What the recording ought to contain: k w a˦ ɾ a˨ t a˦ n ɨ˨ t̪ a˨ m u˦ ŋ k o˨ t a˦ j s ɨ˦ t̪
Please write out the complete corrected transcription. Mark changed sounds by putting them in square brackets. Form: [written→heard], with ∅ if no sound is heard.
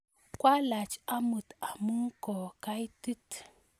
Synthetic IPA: k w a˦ [ɾ→l] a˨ [t→t͡ʃ] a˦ [n→m] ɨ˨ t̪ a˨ m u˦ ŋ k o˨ [t→k] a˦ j [s→t] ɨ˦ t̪

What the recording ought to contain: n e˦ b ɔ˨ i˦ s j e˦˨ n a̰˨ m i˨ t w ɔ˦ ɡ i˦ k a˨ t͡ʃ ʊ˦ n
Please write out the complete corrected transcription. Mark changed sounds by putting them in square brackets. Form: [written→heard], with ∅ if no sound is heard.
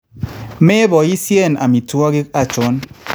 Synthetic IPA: [n→m] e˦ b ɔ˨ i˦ s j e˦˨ n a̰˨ m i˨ t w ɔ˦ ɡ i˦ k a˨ t͡ʃ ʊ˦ n

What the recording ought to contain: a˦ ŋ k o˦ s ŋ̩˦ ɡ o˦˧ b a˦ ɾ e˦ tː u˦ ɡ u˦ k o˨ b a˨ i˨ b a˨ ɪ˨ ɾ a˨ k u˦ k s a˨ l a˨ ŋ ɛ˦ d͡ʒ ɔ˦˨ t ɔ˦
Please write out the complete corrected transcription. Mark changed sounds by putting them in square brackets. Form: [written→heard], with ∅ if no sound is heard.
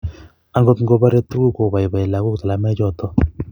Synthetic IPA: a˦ ŋ [k→ɡ] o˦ [s→t] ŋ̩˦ ɡ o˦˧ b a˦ ɾ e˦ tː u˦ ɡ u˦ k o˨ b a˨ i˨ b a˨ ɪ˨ [ɾ→l] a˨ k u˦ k [s→t] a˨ l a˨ [ŋ→m] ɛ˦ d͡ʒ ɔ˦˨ t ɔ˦

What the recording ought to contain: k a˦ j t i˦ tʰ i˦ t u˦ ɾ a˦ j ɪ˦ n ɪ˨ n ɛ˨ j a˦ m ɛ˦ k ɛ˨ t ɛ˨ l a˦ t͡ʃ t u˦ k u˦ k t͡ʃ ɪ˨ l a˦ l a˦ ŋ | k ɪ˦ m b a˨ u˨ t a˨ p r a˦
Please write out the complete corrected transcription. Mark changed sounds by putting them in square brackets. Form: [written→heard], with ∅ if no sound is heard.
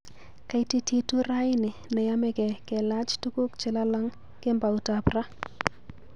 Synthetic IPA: k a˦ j t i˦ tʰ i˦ t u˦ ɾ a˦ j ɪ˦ n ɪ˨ n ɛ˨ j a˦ m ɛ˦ k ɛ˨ [t→k] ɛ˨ l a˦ t͡ʃ t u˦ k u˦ k t͡ʃ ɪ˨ l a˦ l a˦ ŋ | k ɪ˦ m b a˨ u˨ t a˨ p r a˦

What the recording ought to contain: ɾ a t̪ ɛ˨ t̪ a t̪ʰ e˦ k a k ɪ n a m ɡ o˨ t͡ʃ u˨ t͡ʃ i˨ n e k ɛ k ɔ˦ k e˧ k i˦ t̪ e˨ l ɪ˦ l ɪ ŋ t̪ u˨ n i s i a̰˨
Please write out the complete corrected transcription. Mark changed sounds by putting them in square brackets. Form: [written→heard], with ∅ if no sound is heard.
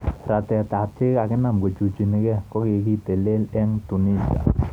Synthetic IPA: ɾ a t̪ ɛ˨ t̪ a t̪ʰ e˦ k a k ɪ n a m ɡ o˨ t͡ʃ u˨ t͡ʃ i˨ n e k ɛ k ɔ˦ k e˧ k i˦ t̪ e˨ l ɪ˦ l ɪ ŋ t̪ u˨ n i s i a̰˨

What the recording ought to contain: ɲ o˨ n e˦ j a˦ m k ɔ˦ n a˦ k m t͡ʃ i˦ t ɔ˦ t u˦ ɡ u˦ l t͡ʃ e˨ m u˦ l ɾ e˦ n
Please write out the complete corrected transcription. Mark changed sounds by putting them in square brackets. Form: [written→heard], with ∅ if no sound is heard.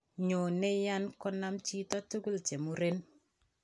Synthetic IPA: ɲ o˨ n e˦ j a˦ [m→n] k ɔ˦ n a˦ [k→∅] m t͡ʃ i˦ t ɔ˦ t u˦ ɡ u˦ l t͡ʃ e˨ m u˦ [l→∅] ɾ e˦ n

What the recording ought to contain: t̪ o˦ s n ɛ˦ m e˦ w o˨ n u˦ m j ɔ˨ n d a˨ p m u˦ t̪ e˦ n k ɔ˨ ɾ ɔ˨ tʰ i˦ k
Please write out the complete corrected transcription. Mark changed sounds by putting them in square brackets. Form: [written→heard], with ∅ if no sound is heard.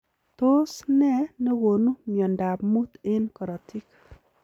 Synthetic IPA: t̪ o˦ s n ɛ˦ [m→n] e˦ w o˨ n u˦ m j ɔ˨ n d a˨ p m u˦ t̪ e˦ n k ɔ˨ ɾ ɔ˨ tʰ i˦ k

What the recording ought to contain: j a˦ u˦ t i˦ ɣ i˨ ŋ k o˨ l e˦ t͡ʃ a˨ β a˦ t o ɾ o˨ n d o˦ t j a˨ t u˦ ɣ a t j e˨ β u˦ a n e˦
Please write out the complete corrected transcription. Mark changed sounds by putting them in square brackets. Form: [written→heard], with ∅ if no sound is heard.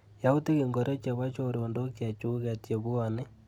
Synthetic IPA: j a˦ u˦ t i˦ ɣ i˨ ŋ [k→ɡ] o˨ [l→ɾ] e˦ t͡ʃ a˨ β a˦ [t→t͡ʃ] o ɾ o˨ n d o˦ [t→k] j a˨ [t→t͡ʃ] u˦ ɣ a t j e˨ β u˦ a n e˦

